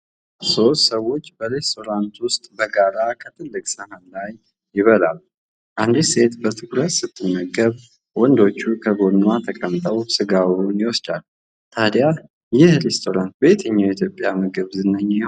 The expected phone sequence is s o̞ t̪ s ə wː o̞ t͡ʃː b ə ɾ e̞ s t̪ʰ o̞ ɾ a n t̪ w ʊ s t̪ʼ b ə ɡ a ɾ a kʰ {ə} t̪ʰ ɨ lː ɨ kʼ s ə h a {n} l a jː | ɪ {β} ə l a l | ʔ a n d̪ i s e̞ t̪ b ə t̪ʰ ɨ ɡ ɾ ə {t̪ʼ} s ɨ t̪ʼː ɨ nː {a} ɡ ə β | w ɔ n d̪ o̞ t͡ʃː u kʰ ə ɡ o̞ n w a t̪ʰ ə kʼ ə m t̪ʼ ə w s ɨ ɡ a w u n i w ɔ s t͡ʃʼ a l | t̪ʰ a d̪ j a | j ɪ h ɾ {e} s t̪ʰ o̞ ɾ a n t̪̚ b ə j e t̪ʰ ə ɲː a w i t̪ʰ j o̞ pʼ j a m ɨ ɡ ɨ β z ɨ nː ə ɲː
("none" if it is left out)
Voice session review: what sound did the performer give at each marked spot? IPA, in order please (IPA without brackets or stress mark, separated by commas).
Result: ə, n, β, t̪, ə, e